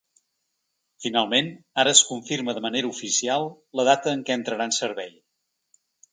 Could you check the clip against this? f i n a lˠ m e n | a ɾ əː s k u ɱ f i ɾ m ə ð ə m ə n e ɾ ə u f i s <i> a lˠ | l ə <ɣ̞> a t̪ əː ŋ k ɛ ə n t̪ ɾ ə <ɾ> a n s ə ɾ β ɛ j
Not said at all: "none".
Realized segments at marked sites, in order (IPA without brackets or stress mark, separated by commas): i, ð̞, ɾ